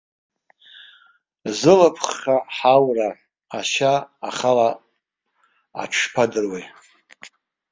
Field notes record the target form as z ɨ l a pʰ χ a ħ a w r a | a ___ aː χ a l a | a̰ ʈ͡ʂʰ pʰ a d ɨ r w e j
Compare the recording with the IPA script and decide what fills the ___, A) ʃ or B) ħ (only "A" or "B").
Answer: A